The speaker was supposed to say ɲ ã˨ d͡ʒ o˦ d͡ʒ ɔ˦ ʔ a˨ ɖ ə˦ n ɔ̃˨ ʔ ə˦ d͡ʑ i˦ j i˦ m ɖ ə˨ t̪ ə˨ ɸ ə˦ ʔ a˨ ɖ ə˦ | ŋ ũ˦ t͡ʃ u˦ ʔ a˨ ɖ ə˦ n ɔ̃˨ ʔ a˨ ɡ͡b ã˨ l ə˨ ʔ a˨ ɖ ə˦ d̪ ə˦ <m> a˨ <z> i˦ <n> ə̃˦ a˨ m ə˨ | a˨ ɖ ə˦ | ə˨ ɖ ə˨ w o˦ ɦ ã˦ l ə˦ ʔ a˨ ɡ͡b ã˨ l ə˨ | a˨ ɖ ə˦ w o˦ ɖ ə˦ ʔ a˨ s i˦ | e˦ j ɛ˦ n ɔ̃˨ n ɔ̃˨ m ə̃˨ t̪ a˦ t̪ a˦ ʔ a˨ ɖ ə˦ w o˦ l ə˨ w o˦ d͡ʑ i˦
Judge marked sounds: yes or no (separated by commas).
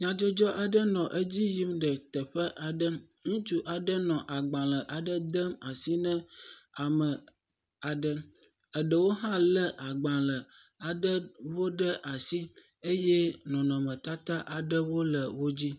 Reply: yes, no, yes